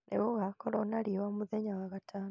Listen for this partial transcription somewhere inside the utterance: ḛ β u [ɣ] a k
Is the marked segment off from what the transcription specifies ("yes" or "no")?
no